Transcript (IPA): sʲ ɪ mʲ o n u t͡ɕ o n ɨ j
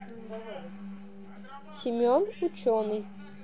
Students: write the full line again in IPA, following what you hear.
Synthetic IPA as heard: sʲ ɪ mʲ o n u t͡ɕ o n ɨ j

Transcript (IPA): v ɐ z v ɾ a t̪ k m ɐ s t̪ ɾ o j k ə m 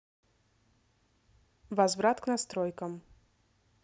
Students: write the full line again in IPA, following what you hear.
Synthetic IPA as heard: v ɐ z v ɾ a t̪ k n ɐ s t̪ ɾ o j k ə m

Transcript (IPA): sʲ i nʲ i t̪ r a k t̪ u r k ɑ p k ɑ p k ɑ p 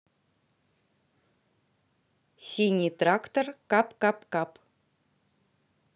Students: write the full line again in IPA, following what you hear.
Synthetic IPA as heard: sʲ i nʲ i t̪ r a k t̪ o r k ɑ p k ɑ p k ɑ p

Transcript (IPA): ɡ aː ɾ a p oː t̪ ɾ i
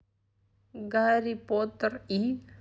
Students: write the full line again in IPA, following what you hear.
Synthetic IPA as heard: ɡ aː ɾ i p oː t̪ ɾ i

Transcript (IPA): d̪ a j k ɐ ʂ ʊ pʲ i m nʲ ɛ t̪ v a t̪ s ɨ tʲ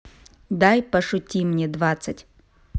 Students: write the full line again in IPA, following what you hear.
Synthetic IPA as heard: d̪ a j p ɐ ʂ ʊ tʲ i m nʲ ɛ d̪ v a t̪ s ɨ tʲ

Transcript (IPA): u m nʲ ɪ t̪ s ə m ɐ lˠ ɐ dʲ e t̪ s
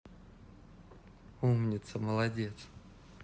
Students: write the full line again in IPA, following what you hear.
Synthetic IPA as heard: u m nʲ ɪ t̪ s ə m ə lˠ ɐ dʲ e t̪ s

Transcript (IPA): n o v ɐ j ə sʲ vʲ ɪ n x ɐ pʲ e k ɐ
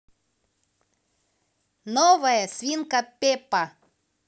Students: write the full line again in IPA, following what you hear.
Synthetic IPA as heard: n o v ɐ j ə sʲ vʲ i n k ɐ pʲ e p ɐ

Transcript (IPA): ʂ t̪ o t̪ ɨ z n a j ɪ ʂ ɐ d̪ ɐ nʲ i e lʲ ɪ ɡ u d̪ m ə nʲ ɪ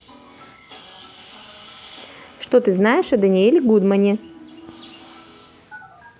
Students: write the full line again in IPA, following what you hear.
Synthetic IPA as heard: ʂ t̪ o t̪ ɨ z n a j ɪ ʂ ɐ d̪ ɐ nʲ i e lʲ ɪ ɡ u d̪ m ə nʲ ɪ

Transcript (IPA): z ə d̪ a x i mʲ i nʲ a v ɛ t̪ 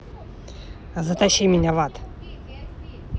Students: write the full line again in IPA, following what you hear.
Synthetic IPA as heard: z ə t̪ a ɕ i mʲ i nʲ a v a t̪

